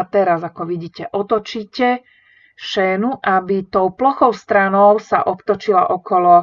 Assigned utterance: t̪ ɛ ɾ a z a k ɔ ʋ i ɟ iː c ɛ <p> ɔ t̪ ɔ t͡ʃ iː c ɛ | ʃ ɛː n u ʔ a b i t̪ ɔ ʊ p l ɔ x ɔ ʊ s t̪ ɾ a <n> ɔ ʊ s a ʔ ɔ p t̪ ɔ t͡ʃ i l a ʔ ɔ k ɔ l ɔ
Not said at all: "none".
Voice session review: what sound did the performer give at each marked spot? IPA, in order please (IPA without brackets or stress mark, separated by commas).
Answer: ʔ, n